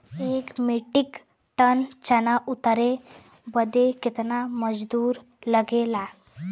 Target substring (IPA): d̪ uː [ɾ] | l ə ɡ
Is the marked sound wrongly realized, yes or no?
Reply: no